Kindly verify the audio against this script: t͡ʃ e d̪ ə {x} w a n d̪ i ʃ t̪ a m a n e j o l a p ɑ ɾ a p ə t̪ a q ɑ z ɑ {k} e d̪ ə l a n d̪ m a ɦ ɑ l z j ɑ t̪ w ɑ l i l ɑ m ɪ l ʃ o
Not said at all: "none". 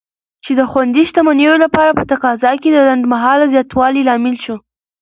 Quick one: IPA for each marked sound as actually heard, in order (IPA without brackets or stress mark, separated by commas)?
x, k